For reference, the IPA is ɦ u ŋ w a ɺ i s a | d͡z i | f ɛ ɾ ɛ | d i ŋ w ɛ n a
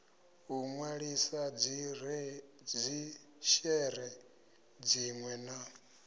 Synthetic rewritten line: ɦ u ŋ w a ɺ i s a | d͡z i | ʃ ɛ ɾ ɛ | d͡z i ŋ w ɛ n a